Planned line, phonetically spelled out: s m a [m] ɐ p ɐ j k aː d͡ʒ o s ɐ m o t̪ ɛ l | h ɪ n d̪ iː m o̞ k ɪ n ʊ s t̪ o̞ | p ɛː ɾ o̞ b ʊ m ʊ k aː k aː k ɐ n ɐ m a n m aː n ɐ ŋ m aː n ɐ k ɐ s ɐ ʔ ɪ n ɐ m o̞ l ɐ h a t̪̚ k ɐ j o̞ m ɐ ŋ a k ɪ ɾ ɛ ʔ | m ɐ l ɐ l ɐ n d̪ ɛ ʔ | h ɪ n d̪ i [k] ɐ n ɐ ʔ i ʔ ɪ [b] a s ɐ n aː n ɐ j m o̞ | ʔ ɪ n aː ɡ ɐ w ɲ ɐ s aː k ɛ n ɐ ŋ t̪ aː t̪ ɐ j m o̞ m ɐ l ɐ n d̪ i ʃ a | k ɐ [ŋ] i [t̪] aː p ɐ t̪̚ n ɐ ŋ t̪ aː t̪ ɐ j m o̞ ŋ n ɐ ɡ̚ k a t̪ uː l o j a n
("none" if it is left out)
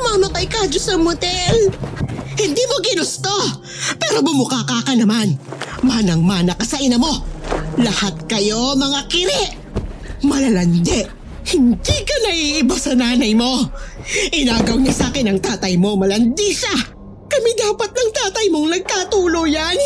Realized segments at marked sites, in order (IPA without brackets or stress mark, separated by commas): m, k, b, m, d̪